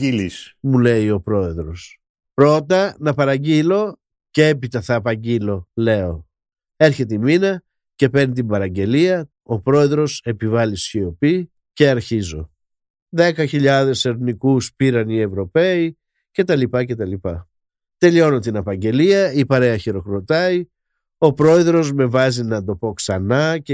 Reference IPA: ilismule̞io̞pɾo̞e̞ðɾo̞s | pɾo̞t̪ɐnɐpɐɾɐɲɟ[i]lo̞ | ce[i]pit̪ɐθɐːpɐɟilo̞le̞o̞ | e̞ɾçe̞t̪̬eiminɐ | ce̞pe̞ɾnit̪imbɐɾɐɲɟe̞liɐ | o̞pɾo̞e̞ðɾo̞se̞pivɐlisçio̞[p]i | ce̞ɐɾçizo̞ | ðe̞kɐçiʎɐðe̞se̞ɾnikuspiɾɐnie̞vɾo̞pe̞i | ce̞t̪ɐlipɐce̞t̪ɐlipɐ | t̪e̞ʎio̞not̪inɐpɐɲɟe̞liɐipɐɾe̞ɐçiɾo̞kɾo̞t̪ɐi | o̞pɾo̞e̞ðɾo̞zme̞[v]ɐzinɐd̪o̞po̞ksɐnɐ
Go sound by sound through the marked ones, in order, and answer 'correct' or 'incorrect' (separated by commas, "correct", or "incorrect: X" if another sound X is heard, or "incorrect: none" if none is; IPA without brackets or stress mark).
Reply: correct, incorrect: e, correct, correct